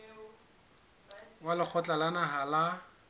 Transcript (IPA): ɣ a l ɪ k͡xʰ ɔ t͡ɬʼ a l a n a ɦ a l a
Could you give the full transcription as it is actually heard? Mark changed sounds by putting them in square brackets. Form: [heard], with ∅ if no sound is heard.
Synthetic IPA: [w] a l ɪ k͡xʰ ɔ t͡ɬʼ a l a n a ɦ a l a